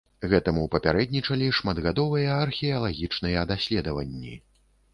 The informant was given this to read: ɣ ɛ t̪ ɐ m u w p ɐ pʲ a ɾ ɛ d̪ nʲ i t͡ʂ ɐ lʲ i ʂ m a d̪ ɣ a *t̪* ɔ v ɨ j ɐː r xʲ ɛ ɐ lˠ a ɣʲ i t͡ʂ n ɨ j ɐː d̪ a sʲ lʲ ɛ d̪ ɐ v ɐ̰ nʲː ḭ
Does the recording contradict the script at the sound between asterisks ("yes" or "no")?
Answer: yes